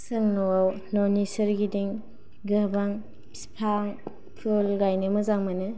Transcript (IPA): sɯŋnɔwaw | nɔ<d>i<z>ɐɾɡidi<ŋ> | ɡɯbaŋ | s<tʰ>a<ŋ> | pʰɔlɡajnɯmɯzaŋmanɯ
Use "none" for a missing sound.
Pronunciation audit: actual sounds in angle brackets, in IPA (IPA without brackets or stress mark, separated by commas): n, s, ŋ, pʰ, ŋ